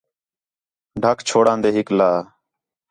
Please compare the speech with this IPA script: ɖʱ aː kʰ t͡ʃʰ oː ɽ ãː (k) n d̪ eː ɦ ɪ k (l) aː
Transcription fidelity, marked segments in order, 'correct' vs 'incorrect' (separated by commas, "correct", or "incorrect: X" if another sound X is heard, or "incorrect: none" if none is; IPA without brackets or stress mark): incorrect: none, correct